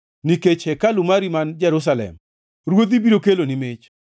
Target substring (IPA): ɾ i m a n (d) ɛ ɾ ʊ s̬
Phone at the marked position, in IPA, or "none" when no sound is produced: d͡ʒ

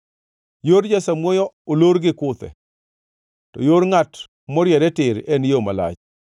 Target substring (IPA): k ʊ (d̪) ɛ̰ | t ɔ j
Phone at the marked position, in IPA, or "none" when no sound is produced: t̪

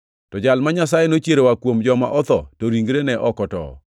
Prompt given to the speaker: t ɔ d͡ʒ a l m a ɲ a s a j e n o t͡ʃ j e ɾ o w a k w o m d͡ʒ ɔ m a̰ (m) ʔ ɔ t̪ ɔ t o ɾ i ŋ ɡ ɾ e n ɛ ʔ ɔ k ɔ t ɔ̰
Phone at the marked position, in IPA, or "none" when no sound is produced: none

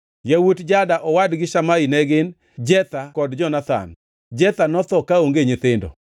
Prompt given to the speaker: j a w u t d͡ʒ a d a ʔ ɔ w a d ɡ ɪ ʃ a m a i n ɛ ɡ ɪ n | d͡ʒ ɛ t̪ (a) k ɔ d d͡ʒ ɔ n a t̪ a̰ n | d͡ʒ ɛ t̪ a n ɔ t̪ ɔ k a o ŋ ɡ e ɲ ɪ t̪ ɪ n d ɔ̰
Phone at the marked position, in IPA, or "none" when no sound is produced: a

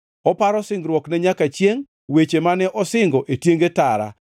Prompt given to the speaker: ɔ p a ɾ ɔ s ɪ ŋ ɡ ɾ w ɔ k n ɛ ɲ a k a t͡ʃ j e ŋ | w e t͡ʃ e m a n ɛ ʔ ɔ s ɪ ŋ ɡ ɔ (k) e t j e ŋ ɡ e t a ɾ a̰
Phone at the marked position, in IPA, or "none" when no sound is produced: ʔ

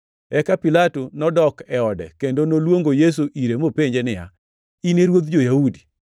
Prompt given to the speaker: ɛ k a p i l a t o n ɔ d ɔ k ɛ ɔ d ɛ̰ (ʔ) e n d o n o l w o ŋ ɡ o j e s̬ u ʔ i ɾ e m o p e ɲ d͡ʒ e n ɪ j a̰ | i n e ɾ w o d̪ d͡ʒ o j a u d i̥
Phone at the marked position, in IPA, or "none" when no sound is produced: k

